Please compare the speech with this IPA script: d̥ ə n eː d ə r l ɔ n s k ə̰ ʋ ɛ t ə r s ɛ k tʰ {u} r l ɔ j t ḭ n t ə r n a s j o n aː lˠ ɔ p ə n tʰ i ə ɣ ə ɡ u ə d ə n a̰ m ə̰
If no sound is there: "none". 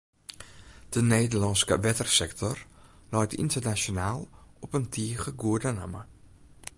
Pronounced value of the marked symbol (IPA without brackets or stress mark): ɔ